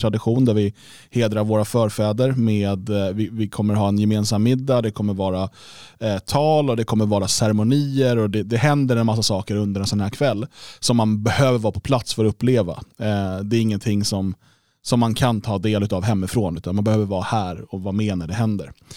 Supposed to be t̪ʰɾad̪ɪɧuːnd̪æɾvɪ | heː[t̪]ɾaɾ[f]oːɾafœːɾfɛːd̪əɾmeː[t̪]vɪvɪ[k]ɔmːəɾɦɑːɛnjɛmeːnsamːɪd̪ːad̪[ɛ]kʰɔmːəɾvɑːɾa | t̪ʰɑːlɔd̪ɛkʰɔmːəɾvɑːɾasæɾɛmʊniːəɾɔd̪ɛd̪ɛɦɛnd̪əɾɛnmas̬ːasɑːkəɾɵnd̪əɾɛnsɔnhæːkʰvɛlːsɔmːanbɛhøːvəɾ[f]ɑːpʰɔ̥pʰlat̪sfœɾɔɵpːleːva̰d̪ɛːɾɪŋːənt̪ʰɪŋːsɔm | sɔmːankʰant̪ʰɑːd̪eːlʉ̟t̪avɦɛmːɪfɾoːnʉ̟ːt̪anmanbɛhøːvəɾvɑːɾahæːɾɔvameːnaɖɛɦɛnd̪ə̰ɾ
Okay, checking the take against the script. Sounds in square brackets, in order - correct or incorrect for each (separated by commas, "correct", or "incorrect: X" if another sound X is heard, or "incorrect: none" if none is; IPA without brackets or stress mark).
incorrect: d̪, incorrect: v, incorrect: d̪, incorrect: kʰ, correct, incorrect: v